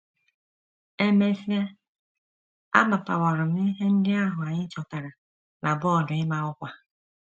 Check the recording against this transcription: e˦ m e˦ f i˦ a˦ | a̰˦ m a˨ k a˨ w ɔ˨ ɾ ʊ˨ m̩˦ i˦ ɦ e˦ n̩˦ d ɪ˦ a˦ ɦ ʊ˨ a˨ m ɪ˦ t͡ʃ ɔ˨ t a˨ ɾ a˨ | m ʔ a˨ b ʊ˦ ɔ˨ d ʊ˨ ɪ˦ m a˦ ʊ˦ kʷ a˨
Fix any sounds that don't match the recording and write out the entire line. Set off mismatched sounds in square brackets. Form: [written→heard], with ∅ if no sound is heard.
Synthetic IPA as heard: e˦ m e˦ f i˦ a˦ | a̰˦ m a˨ [k→p] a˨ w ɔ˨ ɾ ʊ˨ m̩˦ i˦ ɦ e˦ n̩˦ d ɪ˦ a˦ ɦ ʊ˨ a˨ [m→ɲ] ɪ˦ t͡ʃ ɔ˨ t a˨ ɾ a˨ | [m→n] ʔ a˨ b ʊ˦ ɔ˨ d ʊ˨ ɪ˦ m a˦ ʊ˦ kʷ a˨